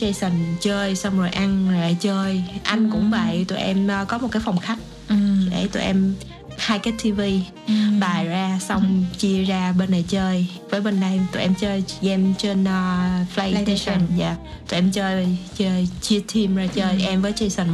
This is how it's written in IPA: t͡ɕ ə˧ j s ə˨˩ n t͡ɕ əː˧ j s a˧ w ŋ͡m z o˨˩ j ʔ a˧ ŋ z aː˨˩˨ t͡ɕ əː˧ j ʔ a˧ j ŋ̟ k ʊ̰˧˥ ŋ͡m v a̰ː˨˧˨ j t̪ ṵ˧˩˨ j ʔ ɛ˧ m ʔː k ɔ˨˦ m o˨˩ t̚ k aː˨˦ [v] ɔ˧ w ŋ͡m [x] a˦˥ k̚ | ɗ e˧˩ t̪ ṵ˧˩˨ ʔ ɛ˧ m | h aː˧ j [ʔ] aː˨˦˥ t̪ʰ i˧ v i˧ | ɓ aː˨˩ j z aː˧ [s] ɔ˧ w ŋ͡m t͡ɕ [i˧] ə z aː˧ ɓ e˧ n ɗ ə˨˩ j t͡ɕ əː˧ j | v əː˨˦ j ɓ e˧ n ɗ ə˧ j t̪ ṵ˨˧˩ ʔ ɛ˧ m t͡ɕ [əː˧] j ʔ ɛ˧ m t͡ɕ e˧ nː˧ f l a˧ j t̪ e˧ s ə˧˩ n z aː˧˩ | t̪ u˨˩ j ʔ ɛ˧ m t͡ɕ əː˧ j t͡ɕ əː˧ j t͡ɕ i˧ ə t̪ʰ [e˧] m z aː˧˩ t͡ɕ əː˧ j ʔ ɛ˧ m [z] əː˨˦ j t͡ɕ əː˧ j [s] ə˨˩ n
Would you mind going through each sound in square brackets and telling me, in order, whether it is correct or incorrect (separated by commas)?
incorrect, correct, incorrect, correct, correct, correct, incorrect, incorrect, correct